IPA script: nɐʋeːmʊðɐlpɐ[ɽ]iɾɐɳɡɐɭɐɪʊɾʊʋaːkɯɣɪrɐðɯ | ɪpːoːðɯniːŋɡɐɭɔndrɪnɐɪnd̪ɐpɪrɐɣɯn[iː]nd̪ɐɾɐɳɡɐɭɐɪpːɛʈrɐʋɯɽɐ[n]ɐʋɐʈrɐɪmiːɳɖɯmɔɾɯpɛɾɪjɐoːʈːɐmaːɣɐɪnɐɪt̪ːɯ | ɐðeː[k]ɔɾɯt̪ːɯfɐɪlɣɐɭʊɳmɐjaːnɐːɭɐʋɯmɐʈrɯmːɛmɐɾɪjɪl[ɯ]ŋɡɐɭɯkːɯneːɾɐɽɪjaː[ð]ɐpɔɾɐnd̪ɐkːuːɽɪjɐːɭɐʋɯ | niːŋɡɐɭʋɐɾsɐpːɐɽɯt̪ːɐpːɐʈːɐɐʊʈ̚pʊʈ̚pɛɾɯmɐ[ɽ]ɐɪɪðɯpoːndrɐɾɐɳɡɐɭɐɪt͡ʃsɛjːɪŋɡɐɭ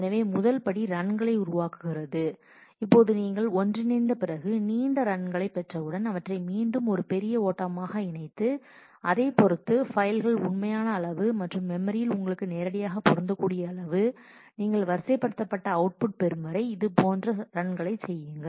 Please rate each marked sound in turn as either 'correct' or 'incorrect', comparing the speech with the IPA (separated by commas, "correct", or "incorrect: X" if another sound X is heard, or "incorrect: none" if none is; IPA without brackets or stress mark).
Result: correct, correct, correct, incorrect: p, incorrect: ʊ, incorrect: ɣ, incorrect: ɾ